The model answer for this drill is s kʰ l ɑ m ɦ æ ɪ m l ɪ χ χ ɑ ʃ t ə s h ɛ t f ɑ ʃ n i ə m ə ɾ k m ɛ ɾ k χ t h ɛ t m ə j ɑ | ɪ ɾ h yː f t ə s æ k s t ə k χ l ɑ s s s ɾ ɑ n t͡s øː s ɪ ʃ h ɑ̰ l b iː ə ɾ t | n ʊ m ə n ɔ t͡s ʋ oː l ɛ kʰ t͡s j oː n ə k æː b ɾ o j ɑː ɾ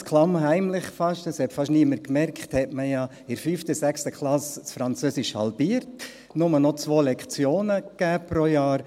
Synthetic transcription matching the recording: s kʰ l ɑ m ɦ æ ɪ m l ɪ χ f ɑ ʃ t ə s h ɛ t f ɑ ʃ n i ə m ə ɾ k m ɛ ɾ k χ t h ɛ t m ə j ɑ | ɪ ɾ f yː f t ə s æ k s t ə k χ l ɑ s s f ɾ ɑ n t͡s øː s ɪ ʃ h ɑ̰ l b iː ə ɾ t | n ʊ m ə n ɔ t͡s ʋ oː l ɛ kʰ t͡s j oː n ə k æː p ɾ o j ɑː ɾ